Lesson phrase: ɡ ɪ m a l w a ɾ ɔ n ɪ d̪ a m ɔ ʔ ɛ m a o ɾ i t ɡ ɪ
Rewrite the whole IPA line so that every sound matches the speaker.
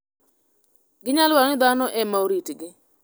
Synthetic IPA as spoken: ɡ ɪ ɲ a l w a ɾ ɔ n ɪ d̪ a n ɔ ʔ ɛ m a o ɾ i t ɡ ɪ